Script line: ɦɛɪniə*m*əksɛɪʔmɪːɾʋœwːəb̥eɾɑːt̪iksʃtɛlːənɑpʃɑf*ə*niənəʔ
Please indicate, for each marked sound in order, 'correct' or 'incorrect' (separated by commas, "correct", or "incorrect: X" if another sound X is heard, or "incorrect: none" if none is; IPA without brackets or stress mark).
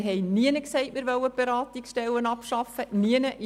incorrect: n, correct